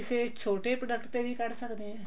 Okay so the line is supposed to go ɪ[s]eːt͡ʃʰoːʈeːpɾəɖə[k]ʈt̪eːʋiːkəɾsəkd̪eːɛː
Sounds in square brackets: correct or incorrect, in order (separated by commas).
correct, correct